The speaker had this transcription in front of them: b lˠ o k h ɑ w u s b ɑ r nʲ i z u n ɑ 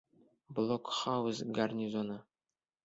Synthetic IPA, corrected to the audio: b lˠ o k χ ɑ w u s ɡ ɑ r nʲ i z o n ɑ